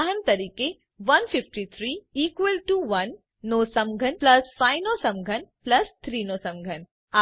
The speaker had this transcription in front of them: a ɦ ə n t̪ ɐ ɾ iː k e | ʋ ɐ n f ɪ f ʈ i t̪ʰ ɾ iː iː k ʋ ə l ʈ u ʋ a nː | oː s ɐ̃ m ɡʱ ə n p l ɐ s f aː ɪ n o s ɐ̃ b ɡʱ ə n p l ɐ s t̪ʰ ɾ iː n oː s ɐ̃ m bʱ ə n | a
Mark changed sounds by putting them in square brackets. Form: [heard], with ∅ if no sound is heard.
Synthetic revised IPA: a ɦ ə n t̪ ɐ ɾ iː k e | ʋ ɐ n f ɪ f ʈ i t̪ʰ ɾ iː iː k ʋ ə l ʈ u ʋ [ɐ] nː | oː s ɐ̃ m ɡʱ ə n p l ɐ s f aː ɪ n o s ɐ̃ [m] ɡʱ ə n p l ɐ s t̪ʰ ɾ iː n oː s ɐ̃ m [ɡʱ] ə n | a

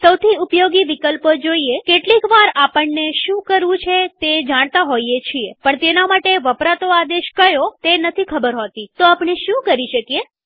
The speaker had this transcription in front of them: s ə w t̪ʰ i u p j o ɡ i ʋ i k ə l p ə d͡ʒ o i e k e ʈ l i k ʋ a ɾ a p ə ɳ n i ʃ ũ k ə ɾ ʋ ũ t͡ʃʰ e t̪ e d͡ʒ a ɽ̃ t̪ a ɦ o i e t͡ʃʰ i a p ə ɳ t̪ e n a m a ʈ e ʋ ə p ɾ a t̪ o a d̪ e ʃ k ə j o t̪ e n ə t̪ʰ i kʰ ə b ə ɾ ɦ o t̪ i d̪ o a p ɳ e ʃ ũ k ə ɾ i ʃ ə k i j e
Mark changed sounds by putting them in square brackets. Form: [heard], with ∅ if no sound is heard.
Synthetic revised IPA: s ə w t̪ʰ i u p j o ɡ i ʋ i k ə l p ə d͡ʒ o i e k e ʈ l i k ʋ a ɾ a p ə ɳ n [e] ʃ ũ k ə ɾ ʋ ũ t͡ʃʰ e t̪ e d͡ʒ a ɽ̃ t̪ a ɦ o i e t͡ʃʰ i [e] p ə ɳ t̪ e n a m a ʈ e ʋ ə p ɾ a t̪ o a d̪ e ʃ k ə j o t̪ e n ə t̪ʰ i kʰ ə b ə ɾ ɦ o t̪ i [t̪] o a p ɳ e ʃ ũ k ə ɾ i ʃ ə k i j e

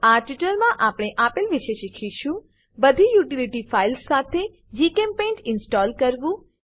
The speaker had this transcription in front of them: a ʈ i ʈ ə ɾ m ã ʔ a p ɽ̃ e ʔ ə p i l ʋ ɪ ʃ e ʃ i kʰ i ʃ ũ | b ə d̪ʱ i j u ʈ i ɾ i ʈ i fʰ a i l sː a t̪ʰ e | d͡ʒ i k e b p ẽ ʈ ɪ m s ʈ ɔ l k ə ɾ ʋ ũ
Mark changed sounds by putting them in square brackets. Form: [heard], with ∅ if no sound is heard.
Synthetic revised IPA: a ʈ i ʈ ə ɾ m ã ʔ a p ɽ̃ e ʔ [a] p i l ʋ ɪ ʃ e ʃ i kʰ i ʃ ũ | b ə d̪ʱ i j u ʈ i [l] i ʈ i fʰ a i l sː a t̪ʰ e | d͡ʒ i k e [m] p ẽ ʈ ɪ [n] s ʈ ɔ l k ə ɾ ʋ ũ

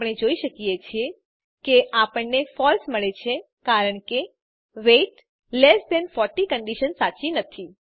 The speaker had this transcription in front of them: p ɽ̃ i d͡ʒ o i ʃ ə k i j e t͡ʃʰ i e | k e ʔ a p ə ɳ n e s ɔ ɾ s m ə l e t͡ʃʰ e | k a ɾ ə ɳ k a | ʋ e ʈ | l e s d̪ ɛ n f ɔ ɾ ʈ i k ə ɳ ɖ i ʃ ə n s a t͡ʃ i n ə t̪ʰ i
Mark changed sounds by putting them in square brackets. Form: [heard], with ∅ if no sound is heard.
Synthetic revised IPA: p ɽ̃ [e] d͡ʒ o i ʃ ə k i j e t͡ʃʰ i e | k e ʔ a p ə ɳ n e [f] ɔ [l] s m ə [ɭ] e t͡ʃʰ e | k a ɾ ə ɳ k [e] | ʋ e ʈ | l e s d̪ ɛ n f ɔ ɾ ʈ i k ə ɳ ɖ i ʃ ə n s a t͡ʃ i n ə t̪ʰ i

